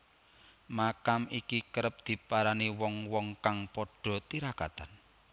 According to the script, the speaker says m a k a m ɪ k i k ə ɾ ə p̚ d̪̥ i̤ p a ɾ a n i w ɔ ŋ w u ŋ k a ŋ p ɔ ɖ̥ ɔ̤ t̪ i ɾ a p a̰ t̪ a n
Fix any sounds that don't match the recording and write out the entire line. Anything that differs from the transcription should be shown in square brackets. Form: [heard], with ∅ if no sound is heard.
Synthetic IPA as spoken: m a k a m [i] k i k ə ɾ ə p̚ d̪̥ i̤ p a ɾ a n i w ɔ ŋ w [ɔ] ŋ k a ŋ p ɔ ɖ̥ ɔ̤ t̪ i ɾ a [k] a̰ t̪ a n